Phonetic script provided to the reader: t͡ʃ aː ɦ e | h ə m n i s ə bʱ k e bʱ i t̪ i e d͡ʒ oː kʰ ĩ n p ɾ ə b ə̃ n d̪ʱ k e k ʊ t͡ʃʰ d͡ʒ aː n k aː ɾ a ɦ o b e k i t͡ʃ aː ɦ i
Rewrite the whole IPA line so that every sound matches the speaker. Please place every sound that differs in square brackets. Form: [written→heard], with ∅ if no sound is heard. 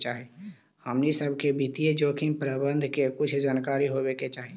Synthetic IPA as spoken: t͡ʃ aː ɦ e | h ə m n i s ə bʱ k e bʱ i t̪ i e d͡ʒ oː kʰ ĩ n p ɾ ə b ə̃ n d̪ʱ k e k ʊ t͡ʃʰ d͡ʒ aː n k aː ɾ [a→i] ɦ o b e k [i→e] t͡ʃ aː ɦ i